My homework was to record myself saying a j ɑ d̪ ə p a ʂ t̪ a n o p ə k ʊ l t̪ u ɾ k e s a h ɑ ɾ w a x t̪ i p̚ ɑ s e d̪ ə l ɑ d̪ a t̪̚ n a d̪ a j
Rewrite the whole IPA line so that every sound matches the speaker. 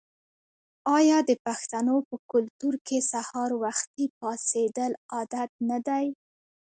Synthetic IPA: ɑ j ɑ d̪ ə p a x t̪ a n o p ə k ʊ l t̪ u ɾ k e s a h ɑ ɾ w a x t̪ i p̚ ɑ s e d̪ ə l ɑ d̪ a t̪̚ n a d̪ a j